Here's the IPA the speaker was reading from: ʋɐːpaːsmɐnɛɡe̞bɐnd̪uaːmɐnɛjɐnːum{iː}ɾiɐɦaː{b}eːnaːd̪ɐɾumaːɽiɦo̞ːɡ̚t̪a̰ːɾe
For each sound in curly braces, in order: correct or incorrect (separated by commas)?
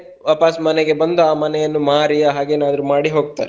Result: incorrect, incorrect